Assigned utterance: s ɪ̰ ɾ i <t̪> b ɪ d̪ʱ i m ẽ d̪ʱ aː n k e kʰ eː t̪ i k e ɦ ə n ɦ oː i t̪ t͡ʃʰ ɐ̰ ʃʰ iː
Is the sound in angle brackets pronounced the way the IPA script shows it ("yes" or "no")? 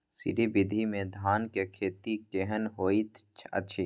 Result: no